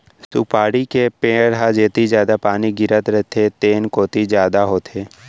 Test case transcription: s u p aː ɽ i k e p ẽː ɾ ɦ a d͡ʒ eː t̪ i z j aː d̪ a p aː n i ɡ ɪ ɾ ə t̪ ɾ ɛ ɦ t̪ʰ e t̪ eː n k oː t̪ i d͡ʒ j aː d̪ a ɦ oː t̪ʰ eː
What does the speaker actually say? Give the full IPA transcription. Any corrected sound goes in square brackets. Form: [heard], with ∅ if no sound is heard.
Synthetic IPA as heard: s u p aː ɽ i k e p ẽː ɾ ɦ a d͡ʒ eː t̪ i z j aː d̪ a p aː n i ɡ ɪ ɾ ə t̪ ɾ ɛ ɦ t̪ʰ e t̪ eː n k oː t̪ i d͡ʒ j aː d̪ a ɦ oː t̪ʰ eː